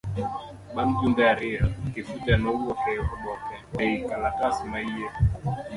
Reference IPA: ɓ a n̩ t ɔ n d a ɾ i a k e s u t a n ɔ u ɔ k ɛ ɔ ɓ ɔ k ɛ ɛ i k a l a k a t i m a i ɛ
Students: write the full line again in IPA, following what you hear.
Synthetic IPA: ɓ a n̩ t u n d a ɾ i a k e f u t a n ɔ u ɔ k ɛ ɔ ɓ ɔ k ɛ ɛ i k a l a k a s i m a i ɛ